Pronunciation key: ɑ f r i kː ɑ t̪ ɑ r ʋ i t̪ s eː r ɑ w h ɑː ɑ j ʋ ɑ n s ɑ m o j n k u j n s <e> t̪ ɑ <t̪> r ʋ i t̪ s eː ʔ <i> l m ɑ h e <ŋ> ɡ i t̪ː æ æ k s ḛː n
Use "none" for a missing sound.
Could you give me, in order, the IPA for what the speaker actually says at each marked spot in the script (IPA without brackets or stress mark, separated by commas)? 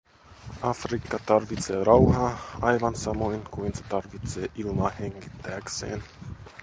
e, none, i, ŋ